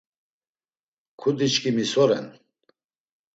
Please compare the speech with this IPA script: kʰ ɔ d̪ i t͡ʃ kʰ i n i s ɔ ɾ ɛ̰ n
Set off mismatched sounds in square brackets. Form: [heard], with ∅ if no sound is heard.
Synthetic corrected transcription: kʰ [u] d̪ i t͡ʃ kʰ i [m] i s ɔ ɾ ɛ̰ n